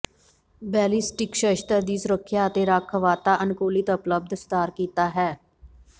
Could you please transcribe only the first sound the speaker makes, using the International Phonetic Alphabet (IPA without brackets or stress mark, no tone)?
b